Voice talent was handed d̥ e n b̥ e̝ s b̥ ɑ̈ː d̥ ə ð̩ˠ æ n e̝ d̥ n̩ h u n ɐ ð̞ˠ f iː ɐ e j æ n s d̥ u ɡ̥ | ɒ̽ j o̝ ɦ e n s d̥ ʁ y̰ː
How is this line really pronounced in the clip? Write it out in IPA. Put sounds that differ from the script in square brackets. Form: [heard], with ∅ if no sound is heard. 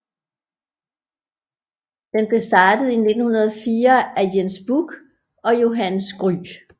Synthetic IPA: d̥ e n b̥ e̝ s [d̥] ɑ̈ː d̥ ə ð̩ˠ [i] n e̝ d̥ n̩ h u n ɐ ð̞ˠ f iː ɐ [æ] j [e] n s [b̥] u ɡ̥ | ɒ̽ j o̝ ɦ [æ] n s [ɡ̥] ʁ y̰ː